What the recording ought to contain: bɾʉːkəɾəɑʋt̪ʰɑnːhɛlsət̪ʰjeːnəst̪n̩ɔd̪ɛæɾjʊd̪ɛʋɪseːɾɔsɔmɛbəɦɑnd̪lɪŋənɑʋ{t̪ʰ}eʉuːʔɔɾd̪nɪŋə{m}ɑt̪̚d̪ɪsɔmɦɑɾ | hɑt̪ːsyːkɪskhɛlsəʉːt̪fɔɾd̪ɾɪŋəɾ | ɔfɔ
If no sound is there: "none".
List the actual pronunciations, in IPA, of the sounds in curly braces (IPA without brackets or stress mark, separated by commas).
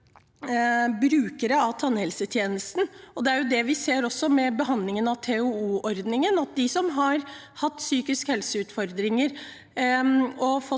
t̪ʰ, n